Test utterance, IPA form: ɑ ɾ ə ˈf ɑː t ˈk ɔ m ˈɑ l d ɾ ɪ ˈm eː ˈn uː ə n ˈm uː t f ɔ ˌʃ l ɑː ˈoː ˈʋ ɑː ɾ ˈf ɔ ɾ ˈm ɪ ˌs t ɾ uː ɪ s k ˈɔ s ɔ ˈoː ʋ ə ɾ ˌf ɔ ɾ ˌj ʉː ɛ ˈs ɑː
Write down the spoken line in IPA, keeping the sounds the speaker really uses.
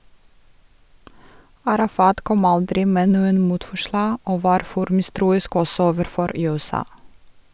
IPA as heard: ɑ ɾ ɑ ˈf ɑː t ˈk ɔ m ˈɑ l d ɾ ɪ ˈm eː ˈn uː ə n ˈm uː t f ɔ ˌʃ l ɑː ˈoː ˈʋ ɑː ɾ ˈf ɔ ɾ ˈm ɪ ˌs t ɾ uː ɪ s k ˈɔ s ɔ ˈoː ʋ ə ɾ ˌf ɔ ɾ ˌj ʉː ɛ ˈs ɑː